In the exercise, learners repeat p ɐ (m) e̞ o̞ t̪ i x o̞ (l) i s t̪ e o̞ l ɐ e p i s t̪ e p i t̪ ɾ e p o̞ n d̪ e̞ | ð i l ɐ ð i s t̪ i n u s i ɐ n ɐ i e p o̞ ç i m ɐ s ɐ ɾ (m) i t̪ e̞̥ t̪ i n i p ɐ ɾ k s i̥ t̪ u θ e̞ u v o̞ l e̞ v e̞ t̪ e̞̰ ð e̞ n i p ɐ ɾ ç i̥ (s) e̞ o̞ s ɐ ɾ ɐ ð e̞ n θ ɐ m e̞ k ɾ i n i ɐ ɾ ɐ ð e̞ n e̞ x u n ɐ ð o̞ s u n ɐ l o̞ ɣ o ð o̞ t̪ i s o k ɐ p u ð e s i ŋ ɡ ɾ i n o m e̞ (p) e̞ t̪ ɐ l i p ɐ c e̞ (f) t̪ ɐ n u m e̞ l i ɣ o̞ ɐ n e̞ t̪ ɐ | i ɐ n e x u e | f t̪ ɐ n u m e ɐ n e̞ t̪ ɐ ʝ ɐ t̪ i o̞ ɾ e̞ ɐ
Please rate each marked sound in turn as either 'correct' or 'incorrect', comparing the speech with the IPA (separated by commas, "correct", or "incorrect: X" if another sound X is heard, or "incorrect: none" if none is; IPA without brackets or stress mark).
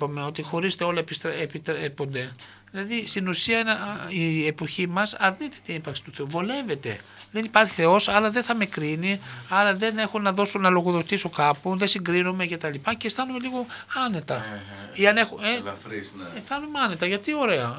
correct, incorrect: ɾ, incorrect: n, incorrect: θ, incorrect: c, incorrect: s